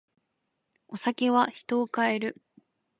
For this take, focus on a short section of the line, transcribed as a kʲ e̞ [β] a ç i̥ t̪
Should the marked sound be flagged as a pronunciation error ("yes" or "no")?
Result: no